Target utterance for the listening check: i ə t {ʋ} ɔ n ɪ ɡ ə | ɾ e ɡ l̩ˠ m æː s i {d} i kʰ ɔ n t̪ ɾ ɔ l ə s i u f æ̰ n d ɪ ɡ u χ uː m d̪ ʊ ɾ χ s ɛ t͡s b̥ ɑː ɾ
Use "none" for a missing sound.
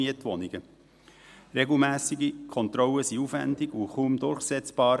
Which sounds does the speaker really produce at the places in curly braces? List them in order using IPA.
ʋ, ɡ

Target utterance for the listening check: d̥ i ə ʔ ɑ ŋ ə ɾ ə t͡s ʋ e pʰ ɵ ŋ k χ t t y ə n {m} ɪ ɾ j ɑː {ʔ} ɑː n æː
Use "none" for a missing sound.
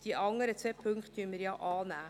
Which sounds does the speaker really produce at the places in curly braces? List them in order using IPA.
m, ʔ

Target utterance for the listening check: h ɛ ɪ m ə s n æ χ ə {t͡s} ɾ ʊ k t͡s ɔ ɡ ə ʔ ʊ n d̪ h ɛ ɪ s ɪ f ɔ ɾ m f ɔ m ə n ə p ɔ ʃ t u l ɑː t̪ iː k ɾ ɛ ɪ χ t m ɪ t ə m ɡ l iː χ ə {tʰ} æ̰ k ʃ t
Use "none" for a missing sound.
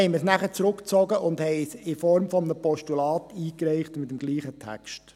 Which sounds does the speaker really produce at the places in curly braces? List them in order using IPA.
t͡s, tʰ

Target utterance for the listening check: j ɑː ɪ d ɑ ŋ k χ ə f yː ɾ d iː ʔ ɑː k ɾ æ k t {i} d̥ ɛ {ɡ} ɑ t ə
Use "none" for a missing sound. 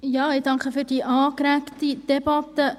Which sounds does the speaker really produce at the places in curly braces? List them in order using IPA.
i, b

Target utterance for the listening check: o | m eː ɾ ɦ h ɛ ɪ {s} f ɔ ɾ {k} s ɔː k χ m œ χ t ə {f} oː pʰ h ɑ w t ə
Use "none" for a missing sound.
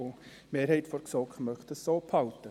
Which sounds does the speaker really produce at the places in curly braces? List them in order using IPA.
t, k, s

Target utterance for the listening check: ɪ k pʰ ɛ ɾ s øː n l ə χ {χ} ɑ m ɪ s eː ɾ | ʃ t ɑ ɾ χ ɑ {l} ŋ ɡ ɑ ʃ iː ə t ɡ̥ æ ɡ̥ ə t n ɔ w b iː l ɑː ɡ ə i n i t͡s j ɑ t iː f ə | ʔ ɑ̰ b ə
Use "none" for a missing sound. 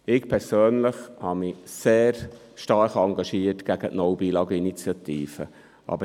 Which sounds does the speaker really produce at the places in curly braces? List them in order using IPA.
h, none

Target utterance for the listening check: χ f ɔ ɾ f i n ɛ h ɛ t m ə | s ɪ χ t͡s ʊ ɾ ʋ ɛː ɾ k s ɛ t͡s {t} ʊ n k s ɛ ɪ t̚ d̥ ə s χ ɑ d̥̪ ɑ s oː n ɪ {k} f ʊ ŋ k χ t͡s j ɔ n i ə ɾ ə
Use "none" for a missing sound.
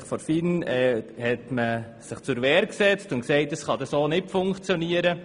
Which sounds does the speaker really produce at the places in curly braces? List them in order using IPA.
t, t

